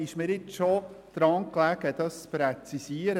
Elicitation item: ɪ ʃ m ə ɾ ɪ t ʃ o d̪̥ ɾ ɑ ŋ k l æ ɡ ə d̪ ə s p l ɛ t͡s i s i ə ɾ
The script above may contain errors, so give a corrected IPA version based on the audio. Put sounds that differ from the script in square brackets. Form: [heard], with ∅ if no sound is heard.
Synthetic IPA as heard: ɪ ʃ m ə ɾ ɪ [t͡s] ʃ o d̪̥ ɾ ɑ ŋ k l æ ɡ ə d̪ [ɑ] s p [ɾ] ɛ t͡s i s i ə ɾ